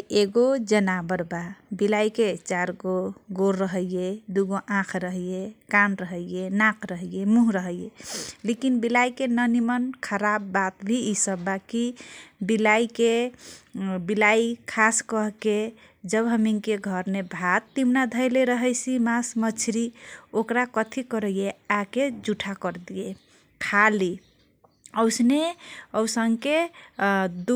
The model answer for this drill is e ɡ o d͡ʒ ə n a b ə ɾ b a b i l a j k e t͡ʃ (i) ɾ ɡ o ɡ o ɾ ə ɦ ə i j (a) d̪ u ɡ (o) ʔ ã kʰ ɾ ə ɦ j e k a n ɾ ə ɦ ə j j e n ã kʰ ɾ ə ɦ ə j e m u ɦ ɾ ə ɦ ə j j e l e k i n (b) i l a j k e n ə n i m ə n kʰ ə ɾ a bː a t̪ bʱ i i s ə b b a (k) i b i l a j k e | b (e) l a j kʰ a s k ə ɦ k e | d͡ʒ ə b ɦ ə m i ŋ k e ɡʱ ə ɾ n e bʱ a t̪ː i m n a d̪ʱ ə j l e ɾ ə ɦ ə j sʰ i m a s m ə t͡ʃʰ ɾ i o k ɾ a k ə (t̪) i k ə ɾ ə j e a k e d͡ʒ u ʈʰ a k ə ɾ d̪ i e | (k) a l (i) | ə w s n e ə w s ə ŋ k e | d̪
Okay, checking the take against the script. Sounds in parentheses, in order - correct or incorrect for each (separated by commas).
incorrect, incorrect, correct, correct, correct, incorrect, incorrect, incorrect, correct